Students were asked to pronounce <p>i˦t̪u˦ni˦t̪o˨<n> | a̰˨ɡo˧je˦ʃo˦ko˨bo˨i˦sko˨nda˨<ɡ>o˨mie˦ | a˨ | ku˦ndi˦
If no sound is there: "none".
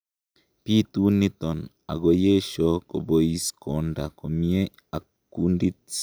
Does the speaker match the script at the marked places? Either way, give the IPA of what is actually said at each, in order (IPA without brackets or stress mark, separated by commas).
p, n, k